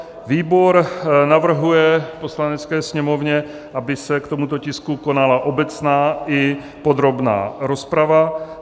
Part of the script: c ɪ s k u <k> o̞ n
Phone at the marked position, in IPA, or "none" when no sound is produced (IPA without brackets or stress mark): k